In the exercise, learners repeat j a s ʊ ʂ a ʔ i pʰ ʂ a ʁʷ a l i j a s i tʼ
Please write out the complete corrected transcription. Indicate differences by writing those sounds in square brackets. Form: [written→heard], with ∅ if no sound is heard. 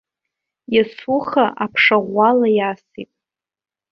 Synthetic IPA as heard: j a s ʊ [ʂ→χ] a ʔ [i→a] pʰ ʂ a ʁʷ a l [i→a] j a s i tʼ